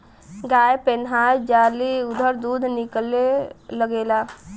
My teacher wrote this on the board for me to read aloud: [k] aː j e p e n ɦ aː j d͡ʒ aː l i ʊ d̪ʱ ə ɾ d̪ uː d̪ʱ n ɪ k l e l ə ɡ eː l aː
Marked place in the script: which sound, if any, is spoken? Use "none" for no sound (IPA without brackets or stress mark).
ɡ